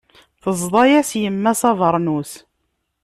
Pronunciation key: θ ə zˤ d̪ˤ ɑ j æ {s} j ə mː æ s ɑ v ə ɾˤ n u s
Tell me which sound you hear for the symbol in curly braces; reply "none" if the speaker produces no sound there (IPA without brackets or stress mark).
s